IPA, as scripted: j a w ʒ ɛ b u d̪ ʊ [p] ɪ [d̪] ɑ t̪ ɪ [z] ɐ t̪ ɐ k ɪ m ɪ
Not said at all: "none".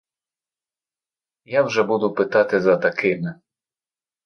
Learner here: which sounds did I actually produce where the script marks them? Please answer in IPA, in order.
p, t̪, z

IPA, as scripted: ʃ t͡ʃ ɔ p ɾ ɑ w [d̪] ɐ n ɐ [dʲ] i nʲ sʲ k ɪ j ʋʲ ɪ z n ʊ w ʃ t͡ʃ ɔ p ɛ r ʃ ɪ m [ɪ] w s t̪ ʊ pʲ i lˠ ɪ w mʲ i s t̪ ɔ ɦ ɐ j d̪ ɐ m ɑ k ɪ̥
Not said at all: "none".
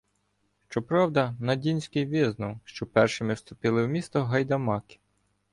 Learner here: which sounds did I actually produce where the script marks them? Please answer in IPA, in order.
d̪, dʲ, ɪ

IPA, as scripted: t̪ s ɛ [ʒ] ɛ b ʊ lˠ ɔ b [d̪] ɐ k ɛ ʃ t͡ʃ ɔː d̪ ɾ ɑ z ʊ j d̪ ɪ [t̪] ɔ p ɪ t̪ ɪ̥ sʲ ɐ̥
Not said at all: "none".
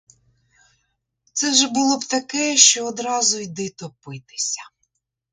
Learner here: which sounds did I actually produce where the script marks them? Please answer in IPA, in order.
ʒ, t̪, t̪

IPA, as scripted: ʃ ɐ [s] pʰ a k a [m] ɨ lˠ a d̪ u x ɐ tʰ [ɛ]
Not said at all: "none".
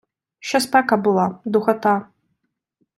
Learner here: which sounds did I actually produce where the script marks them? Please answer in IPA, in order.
s, b, a

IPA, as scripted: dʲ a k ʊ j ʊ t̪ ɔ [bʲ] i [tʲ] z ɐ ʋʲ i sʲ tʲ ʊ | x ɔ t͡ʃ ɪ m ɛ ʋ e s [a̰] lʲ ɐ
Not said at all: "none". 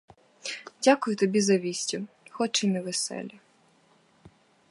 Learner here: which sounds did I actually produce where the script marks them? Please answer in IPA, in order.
bʲ, none, ɛ̰

